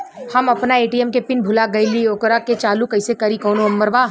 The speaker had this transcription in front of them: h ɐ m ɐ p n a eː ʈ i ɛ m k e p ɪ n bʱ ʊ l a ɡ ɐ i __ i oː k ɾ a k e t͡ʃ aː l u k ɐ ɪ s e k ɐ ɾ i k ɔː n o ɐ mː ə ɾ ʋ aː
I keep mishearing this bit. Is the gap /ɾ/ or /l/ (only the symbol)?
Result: l